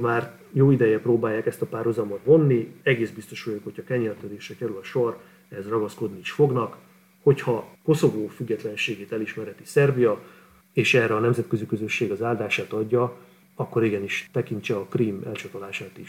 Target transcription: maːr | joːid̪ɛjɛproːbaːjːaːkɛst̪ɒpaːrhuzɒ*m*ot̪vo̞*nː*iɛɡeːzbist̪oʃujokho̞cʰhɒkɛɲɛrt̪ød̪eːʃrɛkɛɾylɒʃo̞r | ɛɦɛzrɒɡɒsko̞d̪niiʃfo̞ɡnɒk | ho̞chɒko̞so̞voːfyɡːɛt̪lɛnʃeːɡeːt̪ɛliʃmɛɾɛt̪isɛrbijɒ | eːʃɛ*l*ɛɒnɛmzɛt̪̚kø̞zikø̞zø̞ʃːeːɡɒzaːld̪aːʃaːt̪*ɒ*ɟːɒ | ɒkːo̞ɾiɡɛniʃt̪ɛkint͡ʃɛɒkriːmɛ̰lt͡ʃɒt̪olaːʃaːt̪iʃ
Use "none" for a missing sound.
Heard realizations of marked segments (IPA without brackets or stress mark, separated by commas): m, nː, r, ɒ